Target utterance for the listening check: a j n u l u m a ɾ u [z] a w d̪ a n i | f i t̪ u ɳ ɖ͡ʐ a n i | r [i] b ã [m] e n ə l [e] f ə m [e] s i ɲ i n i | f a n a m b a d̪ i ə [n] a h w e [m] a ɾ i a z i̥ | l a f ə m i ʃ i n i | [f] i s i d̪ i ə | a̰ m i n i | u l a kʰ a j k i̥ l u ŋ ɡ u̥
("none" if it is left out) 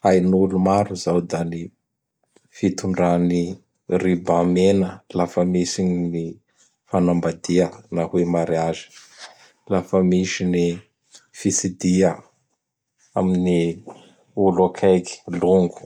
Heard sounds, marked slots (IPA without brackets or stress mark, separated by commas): z, i, m, a, i, n, m, f